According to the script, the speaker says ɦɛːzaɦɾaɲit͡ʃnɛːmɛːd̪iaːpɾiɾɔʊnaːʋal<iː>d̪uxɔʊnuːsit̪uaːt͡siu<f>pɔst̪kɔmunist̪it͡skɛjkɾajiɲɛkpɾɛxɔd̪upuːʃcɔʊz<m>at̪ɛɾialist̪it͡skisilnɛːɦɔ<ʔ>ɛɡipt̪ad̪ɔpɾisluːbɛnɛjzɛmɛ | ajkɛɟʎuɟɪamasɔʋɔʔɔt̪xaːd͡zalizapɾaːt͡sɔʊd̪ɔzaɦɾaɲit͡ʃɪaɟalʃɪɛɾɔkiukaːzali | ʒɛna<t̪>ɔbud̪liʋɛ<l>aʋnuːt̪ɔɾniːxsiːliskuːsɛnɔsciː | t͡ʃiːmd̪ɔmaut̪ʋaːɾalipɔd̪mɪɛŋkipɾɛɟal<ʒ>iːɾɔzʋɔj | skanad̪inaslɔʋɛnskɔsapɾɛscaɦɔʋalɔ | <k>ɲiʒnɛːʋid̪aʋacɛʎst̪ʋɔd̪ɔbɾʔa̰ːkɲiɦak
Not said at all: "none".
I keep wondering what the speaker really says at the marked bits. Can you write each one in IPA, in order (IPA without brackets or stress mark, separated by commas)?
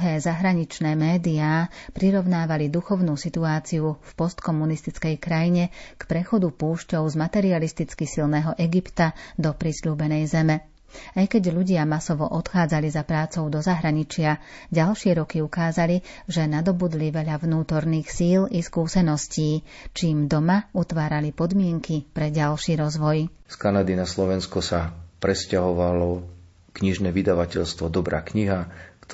i, f, m, ʔ, d̪, ʎ, ʃ, k